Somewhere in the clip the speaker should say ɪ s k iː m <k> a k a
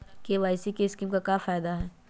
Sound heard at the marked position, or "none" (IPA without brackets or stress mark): k